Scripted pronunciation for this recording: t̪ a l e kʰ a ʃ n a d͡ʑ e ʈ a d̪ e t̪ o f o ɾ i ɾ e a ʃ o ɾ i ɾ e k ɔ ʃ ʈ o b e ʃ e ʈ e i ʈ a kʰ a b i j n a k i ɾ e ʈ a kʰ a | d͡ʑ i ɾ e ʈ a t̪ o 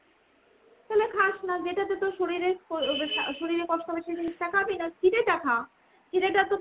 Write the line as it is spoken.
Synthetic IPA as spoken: t̪ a l e kʰ a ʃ n a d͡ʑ e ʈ a t̪ e t̪ o ʃ o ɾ i ɾ e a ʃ o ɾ i ɾ e k ɔ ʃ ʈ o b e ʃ e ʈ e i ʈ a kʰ a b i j n a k i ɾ e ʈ a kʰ a | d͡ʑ i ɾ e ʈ a t̪ o